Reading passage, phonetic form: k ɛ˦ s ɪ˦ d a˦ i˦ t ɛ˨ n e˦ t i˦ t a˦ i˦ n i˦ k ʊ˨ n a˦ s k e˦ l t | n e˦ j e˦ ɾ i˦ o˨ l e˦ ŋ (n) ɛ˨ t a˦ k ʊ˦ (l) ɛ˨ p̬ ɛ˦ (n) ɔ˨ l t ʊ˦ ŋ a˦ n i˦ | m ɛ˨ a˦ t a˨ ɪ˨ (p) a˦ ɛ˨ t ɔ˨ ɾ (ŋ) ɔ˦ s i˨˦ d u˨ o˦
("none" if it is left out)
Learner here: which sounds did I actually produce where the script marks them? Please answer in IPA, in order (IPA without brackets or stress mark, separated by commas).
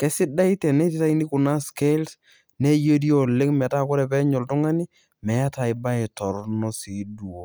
m, ɾ, ɲ, b, n